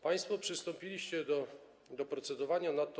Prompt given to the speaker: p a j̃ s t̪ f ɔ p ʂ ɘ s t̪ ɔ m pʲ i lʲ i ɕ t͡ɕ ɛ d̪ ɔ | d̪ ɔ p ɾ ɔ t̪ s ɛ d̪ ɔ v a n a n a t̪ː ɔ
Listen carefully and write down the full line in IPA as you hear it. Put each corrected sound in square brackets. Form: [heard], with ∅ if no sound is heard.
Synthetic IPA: p a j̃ s t̪ f ɔ p ʂ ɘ s t̪ ɔ m pʲ i lʲ i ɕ t͡ɕ ɛ d̪ ɔ | d̪ ɔ p ɾ ɔ t̪ s ɛ d̪ ɔ v a [ɲ] a n a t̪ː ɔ

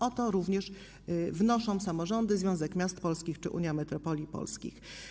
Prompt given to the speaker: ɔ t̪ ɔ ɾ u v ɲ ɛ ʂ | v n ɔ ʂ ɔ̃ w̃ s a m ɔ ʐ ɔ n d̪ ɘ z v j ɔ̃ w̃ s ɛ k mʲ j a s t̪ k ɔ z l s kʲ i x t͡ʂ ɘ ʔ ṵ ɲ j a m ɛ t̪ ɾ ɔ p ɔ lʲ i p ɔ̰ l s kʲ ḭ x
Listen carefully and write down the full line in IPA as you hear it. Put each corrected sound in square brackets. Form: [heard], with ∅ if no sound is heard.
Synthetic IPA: ɔ t̪ ɔ ɾ u v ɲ ɛ ʂ | v n ɔ ʂ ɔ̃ w̃ s a m ɔ ʐ ɔ n d̪ ɘ z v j ɔ̃ w̃ [z] ɛ k mʲ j a s t̪ [p] ɔ [∅] l s kʲ i x t͡ʂ ɘ ʔ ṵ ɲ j a m ɛ t̪ ɾ ɔ p ɔ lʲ i p ɔ̰ l s kʲ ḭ x

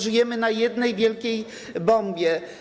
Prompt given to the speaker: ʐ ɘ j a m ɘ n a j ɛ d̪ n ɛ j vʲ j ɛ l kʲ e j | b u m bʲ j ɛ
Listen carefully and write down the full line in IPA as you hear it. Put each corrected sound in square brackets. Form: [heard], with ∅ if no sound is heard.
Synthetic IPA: ʐ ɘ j [ɛ] m ɘ n a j ɛ d̪ n ɛ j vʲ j ɛ l kʲ e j | b [ɔ] m bʲ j ɛ

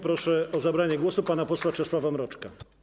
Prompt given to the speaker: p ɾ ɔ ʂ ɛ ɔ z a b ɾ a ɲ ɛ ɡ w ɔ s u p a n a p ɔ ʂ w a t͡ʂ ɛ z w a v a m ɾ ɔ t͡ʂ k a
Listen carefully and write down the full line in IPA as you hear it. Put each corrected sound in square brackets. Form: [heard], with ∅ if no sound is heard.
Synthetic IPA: p ɾ ɔ ʂ ɛ ɔ z a b ɾ a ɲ ɛ ɡ w ɔ s u p a n a p ɔ [s] w a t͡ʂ ɛ [s] w a v a m ɾ ɔ t͡ʂ k a

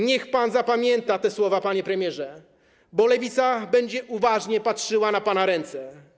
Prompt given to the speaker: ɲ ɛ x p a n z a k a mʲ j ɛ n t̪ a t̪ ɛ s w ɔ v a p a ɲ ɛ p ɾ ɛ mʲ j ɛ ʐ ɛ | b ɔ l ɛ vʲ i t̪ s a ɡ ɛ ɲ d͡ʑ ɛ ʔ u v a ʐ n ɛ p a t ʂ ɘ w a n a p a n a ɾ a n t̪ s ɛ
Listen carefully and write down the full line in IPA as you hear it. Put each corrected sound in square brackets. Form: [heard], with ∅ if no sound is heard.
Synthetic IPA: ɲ ɛ x p a n z a [p] a mʲ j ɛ n t̪ a t̪ ɛ s w ɔ v a p a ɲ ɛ p ɾ ɛ mʲ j ɛ ʐ ɛ | b ɔ l ɛ vʲ i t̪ s a [b] ɛ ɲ d͡ʑ ɛ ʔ u v a ʐ [ɲ] ɛ p a t ʂ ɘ w a n a p a n a ɾ [ɛ] n t̪ s ɛ

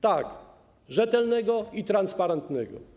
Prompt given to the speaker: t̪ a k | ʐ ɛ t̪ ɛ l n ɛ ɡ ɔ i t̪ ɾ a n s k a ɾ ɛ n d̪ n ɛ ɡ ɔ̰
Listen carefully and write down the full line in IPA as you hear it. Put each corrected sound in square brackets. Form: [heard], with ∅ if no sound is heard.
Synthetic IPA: t̪ a k | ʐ ɛ t̪ ɛ l n ɛ ɡ ɔ i t̪ ɾ a n s [p] a ɾ ɛ n [t̪] n ɛ ɡ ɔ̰

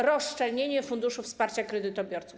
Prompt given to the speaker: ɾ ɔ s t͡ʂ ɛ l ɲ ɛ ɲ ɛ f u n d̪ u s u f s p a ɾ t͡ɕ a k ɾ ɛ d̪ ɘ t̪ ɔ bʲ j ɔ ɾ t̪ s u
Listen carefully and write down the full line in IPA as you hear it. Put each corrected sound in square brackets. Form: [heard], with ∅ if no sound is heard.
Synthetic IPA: ɾ ɔ s t͡ʂ ɛ l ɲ [e] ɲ ɛ f u n d̪ u [ʂ] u f s p a ɾ t͡ɕ a k ɾ ɛ d̪ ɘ t̪ ɔ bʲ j ɔ ɾ t̪ s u

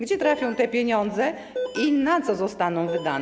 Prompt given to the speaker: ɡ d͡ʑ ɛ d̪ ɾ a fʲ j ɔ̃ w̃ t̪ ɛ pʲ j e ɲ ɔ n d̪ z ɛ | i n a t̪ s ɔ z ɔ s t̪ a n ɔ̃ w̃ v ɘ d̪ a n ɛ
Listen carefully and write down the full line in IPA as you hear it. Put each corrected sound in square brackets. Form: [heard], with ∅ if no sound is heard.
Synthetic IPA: ɡ d͡ʑ ɛ [t̪] ɾ a fʲ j ɔ̃ w̃ t̪ ɛ pʲ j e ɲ ɔ n d̪ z ɛ | i n a t̪ s ɔ z ɔ s t̪ a n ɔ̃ w̃ v ɘ d̪ a n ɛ

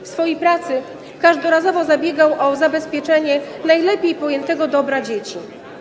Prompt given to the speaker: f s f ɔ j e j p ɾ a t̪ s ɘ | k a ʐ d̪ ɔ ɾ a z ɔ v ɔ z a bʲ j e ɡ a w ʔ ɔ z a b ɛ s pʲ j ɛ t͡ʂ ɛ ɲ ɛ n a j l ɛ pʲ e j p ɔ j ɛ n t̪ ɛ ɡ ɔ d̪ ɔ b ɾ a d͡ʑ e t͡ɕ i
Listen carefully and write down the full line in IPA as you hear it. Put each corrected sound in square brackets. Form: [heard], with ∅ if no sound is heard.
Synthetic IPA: f s f ɔ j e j p ɾ a t̪ s ɘ | k a ʐ d̪ ɔ ɾ a z ɔ v ɔ z a bʲ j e ɡ a w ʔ ɔ z a b ɛ s pʲ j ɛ t͡ʂ ɛ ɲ ɛ n a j l ɛ pʲ e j p ɔ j ɛ n t̪ ɛ ɡ ɔ d̪ ɔ b ɾ a d͡ʑ e t͡ɕ i

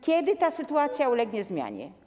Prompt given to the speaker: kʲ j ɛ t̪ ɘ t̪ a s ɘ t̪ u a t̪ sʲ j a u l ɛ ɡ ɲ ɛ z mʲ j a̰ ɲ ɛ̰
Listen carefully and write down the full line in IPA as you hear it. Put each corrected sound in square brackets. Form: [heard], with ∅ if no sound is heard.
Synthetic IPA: kʲ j ɛ [d̪] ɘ t̪ a s ɘ t̪ u a t̪ sʲ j a u l ɛ ɡ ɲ ɛ z mʲ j a̰ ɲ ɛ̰

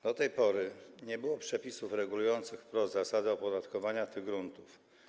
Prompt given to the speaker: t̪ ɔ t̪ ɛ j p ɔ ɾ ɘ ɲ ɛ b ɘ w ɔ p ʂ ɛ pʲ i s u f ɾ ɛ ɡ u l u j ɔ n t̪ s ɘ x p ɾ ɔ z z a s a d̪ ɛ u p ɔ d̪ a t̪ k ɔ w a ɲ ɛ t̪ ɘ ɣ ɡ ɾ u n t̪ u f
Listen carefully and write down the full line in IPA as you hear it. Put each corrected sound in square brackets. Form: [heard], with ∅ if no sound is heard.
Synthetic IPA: [d̪] ɔ t̪ ɛ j p ɔ ɾ ɘ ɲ ɛ b ɘ w ɔ p ʂ ɛ pʲ i s u f ɾ ɛ ɡ u l u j ɔ n t̪ s ɘ x p ɾ ɔ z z a s a d̪ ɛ [ɔ] p ɔ d̪ a t̪ k ɔ [v] a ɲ [a] t̪ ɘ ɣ ɡ ɾ u n t̪ u f

